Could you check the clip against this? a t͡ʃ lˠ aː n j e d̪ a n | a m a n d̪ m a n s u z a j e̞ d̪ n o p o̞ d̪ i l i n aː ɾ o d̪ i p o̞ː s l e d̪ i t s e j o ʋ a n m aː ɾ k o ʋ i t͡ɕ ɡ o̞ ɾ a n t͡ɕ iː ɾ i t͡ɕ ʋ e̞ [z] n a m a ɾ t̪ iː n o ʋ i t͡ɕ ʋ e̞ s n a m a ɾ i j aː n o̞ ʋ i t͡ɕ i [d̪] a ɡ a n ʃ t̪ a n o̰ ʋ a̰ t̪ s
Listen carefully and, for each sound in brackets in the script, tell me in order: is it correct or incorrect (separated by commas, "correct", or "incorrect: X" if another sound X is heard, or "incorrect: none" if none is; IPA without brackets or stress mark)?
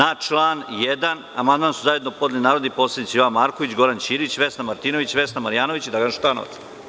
incorrect: s, correct